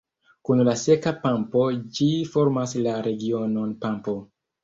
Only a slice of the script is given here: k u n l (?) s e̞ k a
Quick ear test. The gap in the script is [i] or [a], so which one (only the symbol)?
a